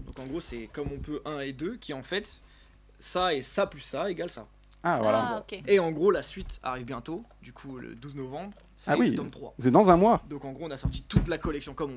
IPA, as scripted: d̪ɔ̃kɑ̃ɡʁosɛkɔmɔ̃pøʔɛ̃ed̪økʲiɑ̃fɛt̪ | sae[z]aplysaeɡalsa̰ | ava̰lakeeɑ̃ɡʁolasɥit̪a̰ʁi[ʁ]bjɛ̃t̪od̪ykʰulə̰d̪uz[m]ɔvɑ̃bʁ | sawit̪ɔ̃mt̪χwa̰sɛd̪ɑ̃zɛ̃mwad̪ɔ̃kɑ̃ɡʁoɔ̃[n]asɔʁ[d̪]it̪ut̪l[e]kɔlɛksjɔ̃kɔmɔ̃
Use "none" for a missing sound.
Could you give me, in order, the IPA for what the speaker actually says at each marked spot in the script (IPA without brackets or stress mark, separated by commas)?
s, v, n, n, t̪, a